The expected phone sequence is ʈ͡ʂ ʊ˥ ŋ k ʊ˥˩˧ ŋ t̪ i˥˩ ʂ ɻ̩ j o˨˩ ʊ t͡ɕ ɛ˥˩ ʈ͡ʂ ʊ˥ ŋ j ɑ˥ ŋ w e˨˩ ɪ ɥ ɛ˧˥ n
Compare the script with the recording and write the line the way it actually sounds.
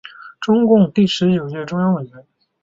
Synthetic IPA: ʈ͡ʂ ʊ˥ ŋ k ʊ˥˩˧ ŋ t̪ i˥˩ ʂ ɻ̩ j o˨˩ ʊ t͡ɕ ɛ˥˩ ʈ͡ʂ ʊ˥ ŋ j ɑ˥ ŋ w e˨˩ ɪ ɥ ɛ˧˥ n